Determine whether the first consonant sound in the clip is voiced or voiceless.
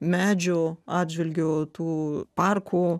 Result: voiced